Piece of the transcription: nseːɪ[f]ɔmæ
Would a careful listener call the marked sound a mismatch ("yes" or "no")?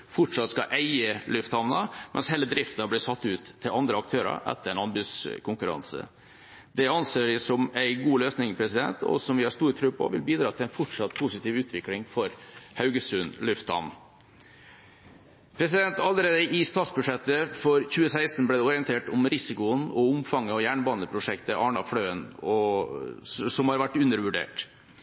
yes